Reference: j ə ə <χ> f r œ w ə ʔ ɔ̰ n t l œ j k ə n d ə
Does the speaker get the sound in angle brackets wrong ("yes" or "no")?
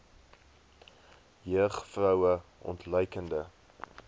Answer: no